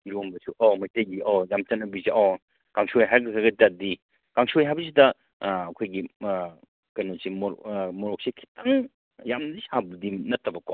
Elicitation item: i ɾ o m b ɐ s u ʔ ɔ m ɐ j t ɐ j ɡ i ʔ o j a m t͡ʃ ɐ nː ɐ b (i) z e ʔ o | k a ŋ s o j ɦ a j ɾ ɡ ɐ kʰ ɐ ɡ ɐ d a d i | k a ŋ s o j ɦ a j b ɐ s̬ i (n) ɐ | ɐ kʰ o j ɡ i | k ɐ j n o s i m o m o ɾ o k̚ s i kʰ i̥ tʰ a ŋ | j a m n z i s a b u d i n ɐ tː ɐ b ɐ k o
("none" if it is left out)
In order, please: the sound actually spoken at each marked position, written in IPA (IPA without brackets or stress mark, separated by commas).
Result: i, d